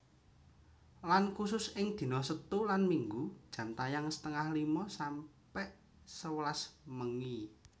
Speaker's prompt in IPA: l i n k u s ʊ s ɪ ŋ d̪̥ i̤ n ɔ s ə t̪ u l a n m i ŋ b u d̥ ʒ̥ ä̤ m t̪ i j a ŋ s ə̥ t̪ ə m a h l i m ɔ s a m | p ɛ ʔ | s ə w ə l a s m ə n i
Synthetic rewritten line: l a n k u s ʊ s ɪ ŋ d̪̥ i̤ n ɔ s ə t̪ u l a n m i ŋ ɡ u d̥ ʒ̥ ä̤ m t̪ a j a ŋ s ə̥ t̪ ə ŋ a h l i m ɔ s a m | p ɛ ʔ | s ə w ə l a s m ə ŋ i